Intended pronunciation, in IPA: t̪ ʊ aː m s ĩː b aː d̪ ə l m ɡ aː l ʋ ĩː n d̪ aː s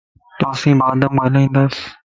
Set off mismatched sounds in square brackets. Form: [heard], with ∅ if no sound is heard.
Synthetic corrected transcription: t̪ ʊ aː [∅] s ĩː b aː d̪ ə [∅] m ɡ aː l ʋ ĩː n d̪ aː s